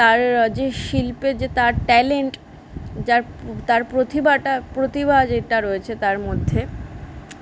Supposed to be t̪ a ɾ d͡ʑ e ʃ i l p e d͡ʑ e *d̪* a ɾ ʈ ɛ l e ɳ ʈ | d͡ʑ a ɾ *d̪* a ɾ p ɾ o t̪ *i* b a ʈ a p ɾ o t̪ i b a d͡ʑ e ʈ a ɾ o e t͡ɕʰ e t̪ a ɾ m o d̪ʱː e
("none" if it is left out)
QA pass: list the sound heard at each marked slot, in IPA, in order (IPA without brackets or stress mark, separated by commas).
t̪, t̪, i